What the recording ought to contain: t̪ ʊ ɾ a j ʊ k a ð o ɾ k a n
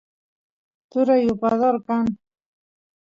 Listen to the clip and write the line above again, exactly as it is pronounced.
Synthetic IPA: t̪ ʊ ɾ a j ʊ p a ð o ɾ k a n

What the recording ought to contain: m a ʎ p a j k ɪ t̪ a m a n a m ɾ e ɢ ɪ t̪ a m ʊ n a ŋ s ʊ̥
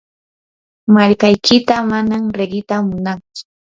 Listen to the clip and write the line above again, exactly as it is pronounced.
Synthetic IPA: m a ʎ k a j k ɪ t̪ a m a n a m ɾ e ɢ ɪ t̪ a m ʊ n a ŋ t͡s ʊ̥

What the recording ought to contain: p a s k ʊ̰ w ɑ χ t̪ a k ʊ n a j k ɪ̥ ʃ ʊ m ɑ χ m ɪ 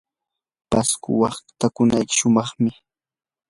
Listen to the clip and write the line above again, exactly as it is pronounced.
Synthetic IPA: p a s k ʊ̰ w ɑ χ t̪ a k ʊ n a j k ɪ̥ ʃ ʊ m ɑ χ m ɪ

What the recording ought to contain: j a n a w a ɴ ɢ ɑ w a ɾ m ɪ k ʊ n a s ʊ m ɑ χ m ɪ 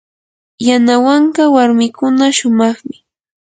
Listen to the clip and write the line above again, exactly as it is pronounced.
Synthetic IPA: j a n a w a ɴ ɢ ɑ w a ɾ m ɪ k ʊ n a ʃ ʊ m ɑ χ m ɪ

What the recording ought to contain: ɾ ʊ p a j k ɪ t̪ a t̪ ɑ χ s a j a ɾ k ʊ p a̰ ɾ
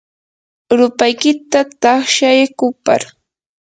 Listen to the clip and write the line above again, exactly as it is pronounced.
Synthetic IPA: ɾ ʊ p a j k ɪ t̪ a t̪ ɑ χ ʃ a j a k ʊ p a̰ ɾ

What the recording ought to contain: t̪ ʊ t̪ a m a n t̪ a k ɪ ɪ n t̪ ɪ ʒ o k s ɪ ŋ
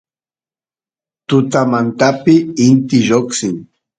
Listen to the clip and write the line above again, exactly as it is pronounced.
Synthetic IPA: t̪ ʊ t̪ a m a n t̪ a p ɪ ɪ n t̪ ɪ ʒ o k s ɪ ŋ

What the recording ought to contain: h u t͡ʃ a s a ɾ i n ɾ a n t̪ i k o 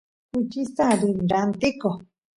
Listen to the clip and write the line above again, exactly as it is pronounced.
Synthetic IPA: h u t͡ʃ i s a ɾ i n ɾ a n t̪ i k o

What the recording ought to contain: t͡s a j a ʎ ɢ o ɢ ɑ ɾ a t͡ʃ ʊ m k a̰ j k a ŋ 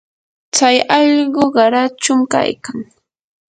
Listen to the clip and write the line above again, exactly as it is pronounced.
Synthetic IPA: t͡s a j ɑ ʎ ɢ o ɢ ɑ ɾ a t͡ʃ ʊ m k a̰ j k a ŋ

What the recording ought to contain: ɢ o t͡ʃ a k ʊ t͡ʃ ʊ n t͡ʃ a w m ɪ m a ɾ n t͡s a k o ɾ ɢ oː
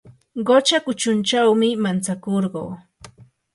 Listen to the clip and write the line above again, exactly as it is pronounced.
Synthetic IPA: ɢ o t͡ʃ a k ʊ t͡ʃ ʊ n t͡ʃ a w m ɪ m a n t͡s a k o ɾ ɢ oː

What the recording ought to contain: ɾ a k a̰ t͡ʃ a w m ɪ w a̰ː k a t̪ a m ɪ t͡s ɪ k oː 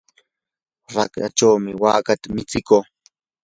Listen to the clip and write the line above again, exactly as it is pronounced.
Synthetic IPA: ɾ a k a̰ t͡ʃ a w m ɪ w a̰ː k a t̪ a m ɪ t͡s ɪ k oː

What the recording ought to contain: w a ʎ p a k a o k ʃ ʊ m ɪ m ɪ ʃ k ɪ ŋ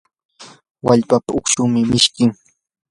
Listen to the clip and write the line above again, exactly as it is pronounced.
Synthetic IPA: w a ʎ p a p a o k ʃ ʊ m ɪ m ɪ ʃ k ɪ ŋ

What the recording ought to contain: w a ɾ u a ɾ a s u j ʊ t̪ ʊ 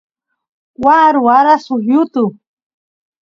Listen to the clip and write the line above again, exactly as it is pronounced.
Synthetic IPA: w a ɾ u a ɾ a s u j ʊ t̪ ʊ

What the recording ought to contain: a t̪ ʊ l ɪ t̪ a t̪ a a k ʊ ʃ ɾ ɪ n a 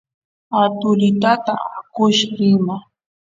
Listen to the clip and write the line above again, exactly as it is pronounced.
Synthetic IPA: a t̪ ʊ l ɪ t̪ a t̪ a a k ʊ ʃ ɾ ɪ m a

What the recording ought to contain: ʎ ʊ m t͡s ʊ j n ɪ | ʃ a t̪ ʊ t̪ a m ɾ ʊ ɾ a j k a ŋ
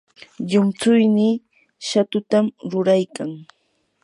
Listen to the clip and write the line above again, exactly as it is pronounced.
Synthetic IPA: ʎ ʊ m t͡s ʊ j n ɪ | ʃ a t̪ ʊ t̪ a m ɾ ʊ ɾ a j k a ŋ

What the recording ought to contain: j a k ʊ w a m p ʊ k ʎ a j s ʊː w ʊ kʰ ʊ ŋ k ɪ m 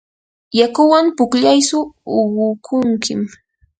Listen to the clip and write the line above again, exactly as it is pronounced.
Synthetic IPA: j a k ʊ w a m p ʊ k ʎ a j s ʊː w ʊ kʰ ʊ ŋ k ɪ m

